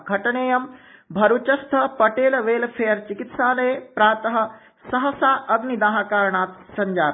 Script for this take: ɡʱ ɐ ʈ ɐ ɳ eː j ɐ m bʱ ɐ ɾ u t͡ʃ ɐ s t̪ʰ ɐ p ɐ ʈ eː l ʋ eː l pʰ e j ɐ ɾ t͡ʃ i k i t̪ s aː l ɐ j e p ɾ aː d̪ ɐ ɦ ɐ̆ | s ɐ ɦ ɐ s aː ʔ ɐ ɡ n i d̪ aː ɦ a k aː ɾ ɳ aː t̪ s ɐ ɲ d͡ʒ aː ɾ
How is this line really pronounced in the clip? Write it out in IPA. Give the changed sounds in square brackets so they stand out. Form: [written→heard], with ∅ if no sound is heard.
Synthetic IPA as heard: ɡʱ ɐ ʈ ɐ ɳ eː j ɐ m bʱ ɐ ɾ u t͡ʃ ɐ s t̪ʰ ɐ p ɐ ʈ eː l ʋ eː l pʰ e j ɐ ɾ t͡ʃ i k i t̪ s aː l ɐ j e p ɾ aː [d̪→t̪] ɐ ɦ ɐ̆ | s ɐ ɦ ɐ s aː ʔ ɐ ɡ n i d̪ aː ɦ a k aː ɾ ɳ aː t̪ s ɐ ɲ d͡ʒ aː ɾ